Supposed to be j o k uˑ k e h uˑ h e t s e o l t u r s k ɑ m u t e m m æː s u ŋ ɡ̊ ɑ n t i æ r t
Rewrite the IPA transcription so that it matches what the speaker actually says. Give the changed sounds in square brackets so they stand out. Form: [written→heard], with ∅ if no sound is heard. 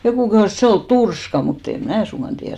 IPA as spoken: j o k uˑ k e h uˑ [h→s] e t s e o l t u r s k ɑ m u t e m m æː s u ŋ ɡ̊ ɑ n t i æ r t